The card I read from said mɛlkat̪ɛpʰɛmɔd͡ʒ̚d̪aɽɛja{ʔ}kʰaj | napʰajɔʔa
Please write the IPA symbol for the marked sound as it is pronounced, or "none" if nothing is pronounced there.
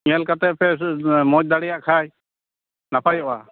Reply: ʔ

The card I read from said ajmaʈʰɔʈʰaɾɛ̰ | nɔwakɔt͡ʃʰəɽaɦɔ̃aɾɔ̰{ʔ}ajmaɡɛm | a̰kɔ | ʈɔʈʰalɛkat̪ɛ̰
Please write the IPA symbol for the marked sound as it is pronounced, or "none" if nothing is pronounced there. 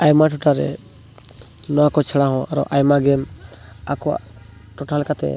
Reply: ʔ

